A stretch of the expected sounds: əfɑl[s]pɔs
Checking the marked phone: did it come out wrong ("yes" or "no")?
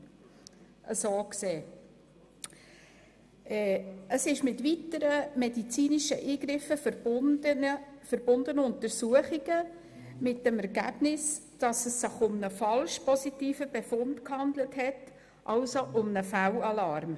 yes